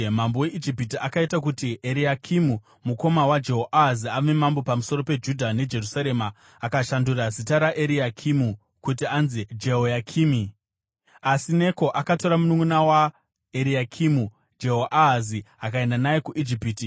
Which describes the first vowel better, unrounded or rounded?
unrounded